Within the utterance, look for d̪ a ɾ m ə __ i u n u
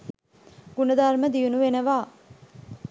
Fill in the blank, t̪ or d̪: d̪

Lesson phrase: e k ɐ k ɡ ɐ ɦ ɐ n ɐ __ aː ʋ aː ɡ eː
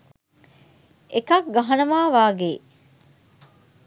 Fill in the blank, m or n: m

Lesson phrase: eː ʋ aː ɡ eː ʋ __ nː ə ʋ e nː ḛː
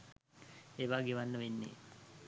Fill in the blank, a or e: a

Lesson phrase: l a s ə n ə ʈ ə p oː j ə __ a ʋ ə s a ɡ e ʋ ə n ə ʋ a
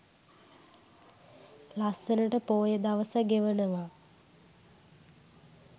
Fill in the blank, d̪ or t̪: d̪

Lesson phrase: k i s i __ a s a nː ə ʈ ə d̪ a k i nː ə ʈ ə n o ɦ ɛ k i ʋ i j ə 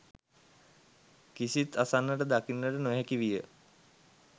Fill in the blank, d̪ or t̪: t̪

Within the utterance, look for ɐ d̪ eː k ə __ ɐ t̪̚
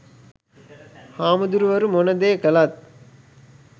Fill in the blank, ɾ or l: l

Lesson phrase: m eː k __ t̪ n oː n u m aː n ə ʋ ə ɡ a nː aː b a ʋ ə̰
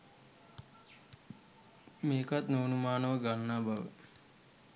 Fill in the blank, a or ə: a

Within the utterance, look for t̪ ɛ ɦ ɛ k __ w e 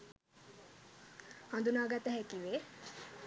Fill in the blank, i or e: i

